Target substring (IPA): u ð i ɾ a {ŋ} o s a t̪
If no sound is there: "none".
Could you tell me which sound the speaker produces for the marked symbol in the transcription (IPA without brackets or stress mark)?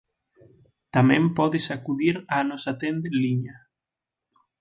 n